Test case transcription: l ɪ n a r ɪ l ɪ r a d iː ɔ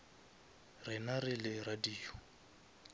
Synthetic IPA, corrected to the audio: r ɪ n a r ɪ l ɪ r a d iː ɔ